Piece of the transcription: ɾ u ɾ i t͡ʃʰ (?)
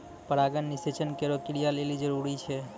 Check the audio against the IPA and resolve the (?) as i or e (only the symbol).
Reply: e